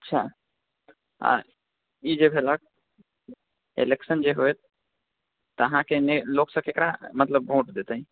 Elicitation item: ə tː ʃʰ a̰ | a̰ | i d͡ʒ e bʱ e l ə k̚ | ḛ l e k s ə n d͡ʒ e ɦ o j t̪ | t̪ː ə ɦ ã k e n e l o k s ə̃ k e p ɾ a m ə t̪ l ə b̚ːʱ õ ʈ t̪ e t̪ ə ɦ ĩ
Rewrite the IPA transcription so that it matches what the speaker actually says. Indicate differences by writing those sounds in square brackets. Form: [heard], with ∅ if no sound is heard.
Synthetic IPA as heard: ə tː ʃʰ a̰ | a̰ | i d͡ʒ e bʱ e l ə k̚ | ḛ l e k s ə n d͡ʒ e ɦ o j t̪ | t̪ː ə ɦ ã k e n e l o k s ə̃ k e [k] ɾ a m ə t̪ l ə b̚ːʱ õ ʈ [d̪] e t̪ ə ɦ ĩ

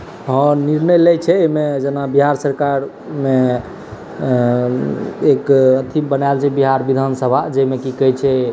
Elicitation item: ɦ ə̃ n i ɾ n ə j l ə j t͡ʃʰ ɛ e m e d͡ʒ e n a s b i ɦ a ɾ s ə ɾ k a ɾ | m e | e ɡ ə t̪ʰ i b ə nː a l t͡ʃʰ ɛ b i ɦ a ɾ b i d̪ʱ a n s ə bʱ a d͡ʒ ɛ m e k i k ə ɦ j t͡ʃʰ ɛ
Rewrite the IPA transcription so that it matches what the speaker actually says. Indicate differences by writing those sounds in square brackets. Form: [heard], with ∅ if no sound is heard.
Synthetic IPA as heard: ɦ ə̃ n i ɾ n ə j l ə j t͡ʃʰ ɛ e m e d͡ʒ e n a [∅] b i ɦ a ɾ s ə ɾ k a ɾ | m e | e [k] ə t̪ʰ i b ə [n] a l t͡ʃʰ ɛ b i ɦ a ɾ b i d̪ʱ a n s ə bʱ a d͡ʒ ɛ m e k i k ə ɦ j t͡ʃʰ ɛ

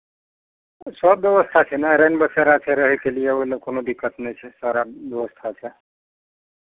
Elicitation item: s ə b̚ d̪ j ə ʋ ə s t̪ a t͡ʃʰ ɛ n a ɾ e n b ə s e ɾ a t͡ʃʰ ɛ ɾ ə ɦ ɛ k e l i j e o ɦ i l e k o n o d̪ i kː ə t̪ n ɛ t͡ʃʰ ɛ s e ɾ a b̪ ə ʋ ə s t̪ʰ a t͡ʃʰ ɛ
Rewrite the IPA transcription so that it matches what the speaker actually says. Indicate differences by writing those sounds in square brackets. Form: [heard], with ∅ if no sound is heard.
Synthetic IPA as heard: s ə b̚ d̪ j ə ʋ ə s [t̪ʰ] a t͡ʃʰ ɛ n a ɾ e n b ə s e ɾ a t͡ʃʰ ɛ ɾ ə ɦ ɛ k e l i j e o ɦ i l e k o n o d̪ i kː ə t̪ n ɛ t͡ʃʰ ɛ s [a] ɾ a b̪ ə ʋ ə s t̪ʰ a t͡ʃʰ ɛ

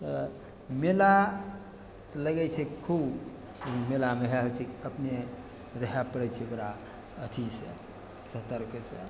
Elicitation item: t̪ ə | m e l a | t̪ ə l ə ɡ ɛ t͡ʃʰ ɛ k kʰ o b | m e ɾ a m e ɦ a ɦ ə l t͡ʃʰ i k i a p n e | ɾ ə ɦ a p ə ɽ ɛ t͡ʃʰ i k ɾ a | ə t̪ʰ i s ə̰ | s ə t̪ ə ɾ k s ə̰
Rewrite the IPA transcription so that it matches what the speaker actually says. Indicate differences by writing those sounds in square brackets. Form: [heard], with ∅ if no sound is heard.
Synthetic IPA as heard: t̪ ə | m e l a | t̪ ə l ə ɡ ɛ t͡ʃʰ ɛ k kʰ [u] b | m e [l] a m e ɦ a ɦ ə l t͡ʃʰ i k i [ə] p n e | ɾ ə ɦ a p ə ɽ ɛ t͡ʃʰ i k ɾ a | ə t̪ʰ i s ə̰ | s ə t̪ ə ɾ k s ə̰

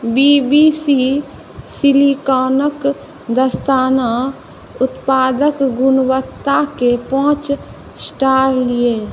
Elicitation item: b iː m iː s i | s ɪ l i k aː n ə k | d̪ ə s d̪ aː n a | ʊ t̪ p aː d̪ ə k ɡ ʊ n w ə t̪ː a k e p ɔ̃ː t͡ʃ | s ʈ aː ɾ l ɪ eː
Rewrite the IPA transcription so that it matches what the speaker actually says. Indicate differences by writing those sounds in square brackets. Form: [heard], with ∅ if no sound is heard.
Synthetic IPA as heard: b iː [b] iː s i | s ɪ l i k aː n ə k | d̪ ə s [t̪] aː n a | ʊ t̪ p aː d̪ ə k ɡ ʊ n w ə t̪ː a k e p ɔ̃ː t͡ʃ | s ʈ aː ɾ l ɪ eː

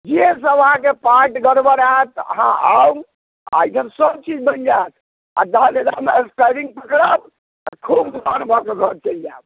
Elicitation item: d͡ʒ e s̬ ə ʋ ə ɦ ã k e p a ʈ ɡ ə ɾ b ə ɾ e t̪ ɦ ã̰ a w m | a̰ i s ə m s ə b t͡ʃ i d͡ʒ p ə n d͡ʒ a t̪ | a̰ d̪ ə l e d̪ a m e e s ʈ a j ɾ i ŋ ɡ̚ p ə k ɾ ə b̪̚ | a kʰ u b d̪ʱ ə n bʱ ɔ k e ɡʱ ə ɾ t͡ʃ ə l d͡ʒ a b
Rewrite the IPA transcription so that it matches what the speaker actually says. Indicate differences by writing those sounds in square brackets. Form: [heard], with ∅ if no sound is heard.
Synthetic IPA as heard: d͡ʒ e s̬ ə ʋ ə ɦ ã k e p a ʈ ɡ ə ɾ b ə ɾ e t̪ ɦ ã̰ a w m | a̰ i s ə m s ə b t͡ʃ i d͡ʒ [b] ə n d͡ʒ a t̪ | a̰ d̪ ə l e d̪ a m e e s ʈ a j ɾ i ŋ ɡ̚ p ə k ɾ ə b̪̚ | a kʰ u b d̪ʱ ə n bʱ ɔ k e ɡʱ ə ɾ t͡ʃ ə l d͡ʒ a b

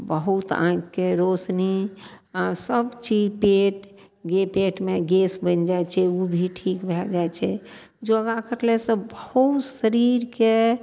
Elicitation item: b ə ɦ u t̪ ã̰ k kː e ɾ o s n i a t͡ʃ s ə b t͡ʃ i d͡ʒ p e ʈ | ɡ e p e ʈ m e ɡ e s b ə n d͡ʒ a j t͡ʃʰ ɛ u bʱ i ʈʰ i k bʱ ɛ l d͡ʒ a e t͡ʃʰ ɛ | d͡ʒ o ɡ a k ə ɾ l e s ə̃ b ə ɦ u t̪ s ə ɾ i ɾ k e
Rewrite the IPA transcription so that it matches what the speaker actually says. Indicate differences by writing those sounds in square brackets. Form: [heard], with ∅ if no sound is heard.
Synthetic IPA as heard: b ə ɦ u t̪ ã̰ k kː e ɾ o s n i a [∅] s ə b t͡ʃ i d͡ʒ p e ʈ | ɡ e p e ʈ m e ɡ e s b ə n d͡ʒ a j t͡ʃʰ ɛ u bʱ i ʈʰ i k bʱ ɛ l d͡ʒ a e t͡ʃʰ ɛ | d͡ʒ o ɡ a k ə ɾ l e s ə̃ b ə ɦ u t̪ s ə ɾ i ɾ k e

